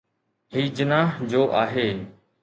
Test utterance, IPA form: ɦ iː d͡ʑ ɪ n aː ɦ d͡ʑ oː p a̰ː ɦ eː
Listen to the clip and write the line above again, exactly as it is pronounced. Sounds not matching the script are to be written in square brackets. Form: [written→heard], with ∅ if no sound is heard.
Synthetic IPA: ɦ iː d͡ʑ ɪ n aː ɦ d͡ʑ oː [p→ʔ] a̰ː ɦ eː